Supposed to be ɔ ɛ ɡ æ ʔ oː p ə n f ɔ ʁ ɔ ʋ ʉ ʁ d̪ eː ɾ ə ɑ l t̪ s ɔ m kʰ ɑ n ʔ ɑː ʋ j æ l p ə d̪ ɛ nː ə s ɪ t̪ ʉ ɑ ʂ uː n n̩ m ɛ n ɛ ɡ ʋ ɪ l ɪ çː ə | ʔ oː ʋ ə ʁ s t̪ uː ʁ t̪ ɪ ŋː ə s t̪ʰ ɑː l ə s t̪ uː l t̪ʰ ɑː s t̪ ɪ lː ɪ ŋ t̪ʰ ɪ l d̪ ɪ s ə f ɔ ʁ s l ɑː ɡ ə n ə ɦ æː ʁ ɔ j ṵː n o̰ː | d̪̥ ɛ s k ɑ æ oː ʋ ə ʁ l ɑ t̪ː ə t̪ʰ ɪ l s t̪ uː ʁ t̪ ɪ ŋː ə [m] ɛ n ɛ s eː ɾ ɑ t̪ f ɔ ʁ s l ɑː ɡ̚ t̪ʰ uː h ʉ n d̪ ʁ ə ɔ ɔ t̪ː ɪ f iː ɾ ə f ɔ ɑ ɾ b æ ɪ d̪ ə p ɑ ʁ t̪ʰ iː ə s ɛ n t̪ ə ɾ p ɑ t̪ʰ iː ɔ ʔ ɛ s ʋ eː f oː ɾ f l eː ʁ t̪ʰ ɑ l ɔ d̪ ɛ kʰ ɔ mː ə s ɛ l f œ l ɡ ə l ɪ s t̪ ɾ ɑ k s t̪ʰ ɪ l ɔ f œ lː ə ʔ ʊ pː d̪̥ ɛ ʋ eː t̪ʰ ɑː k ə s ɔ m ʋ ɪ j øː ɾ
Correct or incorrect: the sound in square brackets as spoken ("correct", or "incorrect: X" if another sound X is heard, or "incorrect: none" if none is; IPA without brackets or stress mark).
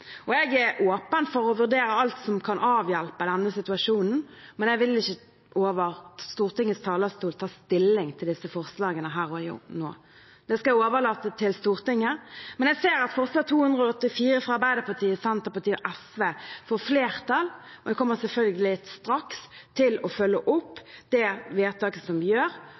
correct